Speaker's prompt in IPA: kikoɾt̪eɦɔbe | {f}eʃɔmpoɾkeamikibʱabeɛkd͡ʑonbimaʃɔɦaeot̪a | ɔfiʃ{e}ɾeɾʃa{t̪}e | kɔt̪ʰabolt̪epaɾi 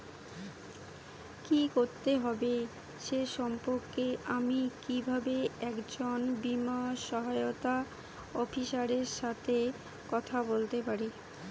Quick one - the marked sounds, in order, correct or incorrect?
incorrect: ʃ, incorrect: a, incorrect: t̪ʰ

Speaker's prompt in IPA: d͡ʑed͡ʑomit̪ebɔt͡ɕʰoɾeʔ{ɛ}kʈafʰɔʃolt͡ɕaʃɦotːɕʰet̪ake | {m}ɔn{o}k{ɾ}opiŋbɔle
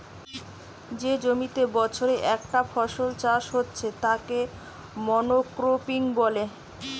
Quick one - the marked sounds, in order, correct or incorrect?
correct, correct, correct, correct

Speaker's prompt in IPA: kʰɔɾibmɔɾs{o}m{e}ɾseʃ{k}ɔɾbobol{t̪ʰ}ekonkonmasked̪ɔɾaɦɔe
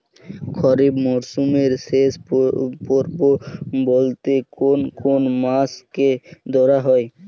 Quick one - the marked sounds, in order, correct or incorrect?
incorrect: u, correct, incorrect: p, incorrect: t̪

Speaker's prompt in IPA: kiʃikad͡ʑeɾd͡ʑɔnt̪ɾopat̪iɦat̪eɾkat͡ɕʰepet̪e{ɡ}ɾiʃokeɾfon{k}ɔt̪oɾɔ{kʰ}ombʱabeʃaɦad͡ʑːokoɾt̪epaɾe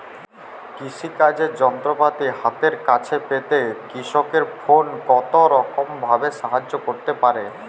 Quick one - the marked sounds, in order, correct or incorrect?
incorrect: k, correct, incorrect: k

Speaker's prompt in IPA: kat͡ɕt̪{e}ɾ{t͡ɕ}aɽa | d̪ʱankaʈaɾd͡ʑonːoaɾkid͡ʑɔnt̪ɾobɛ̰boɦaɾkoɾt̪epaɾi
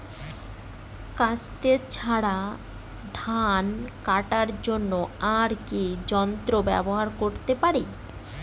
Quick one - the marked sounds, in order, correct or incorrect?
correct, incorrect: t͡ɕʰ

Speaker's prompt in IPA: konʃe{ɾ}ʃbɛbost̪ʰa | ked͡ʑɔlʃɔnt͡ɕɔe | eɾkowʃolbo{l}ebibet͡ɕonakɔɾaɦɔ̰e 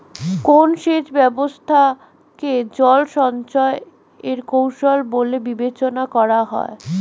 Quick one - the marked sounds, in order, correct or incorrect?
incorrect: none, correct

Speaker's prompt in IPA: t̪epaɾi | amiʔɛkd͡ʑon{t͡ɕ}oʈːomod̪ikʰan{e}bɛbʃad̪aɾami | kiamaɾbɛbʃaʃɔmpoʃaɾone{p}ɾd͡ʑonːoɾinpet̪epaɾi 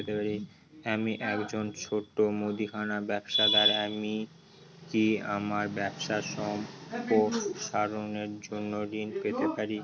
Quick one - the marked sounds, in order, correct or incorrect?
incorrect: t͡ɕʰ, incorrect: a, incorrect: none

